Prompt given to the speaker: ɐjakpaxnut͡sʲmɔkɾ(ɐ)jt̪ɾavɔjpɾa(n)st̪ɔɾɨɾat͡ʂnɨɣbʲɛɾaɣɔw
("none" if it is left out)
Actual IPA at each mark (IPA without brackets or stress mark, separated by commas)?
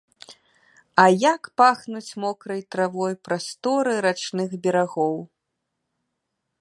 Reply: ɐ, none